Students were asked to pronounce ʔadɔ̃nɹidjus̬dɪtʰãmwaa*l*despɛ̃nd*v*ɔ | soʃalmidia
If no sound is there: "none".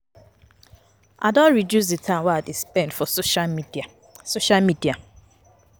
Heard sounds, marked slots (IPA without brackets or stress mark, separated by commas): none, f